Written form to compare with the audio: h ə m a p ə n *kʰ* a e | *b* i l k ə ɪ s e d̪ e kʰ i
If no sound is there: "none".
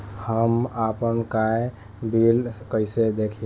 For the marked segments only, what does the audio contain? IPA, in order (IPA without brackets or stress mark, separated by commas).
k, b